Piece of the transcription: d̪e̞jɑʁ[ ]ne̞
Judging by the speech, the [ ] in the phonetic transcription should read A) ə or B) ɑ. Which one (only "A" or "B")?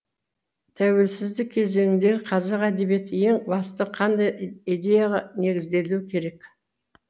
B